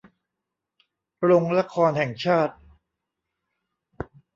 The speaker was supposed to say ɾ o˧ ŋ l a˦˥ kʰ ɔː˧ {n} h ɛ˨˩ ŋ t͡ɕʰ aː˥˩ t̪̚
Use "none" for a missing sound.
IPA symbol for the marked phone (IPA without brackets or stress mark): n